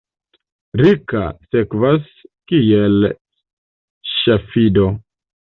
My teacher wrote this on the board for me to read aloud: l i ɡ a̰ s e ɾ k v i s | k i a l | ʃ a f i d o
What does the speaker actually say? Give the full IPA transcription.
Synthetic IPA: ɾ i k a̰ s e k v a s | k i e l | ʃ a f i d o